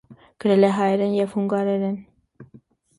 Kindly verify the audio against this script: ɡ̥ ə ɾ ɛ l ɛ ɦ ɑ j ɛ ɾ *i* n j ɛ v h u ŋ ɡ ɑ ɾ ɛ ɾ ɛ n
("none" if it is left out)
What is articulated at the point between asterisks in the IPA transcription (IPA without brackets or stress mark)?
ɛ